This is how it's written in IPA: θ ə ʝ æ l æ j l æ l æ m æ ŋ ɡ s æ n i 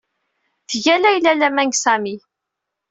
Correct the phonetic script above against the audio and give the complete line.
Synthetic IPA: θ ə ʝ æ l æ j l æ l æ m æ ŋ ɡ s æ m i

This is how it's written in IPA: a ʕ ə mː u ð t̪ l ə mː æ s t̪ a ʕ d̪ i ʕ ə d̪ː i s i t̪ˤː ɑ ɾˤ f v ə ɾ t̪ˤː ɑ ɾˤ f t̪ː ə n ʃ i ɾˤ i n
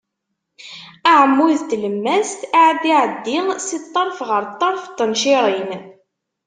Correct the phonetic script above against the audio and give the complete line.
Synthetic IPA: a ʕ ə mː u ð t̪ l ə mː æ s t̪ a ʕ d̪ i ʕ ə d̪ː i s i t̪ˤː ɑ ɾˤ f ʁ ə ɾ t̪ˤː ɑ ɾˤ f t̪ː ə n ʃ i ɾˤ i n

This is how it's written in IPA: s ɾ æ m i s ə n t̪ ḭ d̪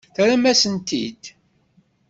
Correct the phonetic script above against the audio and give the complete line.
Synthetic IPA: θ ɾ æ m æ s ə n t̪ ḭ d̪

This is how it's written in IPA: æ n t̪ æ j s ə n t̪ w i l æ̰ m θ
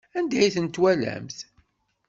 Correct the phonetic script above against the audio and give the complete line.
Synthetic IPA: æ n d̪ æ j θ ə n t̪ w æ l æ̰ m θ

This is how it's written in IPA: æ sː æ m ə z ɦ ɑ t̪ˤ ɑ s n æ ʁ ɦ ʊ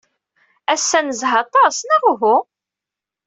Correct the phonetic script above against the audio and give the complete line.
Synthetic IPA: æ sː æ n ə z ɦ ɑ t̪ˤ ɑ s n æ ʁ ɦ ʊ

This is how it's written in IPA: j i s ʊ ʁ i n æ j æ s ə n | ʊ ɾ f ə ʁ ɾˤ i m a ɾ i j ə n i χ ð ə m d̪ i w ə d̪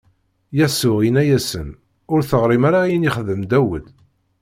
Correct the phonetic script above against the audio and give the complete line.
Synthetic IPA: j æ s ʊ ʁ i n æ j æ s ə n | ʊ ɾ θ ə ʁ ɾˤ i m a ɾ a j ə n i χ ð ə m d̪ æ w ə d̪

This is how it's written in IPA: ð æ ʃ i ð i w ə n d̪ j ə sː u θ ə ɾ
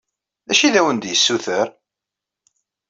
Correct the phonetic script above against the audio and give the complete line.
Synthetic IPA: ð æ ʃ i ð æ w ə n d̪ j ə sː u θ ə ɾ

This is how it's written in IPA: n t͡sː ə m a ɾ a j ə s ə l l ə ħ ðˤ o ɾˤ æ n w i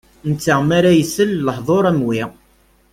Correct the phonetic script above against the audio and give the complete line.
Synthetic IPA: n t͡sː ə m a ɾ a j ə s ə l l ə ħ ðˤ o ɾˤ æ m w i

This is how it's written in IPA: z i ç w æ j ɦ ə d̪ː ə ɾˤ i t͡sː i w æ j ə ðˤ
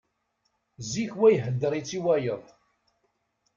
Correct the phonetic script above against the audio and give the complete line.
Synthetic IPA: z i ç w æ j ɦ ə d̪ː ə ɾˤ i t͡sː i w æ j ə ðˤ

